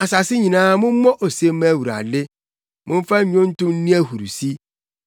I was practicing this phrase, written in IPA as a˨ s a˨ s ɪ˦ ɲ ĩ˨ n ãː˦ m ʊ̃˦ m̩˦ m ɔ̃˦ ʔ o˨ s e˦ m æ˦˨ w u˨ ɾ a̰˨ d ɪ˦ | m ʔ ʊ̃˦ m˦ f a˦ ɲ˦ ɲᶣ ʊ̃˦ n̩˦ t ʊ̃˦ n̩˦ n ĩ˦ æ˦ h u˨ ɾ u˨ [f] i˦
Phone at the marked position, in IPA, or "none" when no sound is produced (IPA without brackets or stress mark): s